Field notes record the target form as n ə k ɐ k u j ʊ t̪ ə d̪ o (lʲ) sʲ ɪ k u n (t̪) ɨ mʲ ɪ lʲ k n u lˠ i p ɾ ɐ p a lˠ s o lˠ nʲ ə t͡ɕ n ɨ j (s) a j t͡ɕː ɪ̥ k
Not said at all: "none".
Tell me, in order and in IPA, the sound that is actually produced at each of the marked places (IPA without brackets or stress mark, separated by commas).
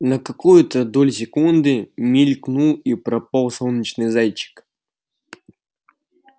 lʲ, d̪, z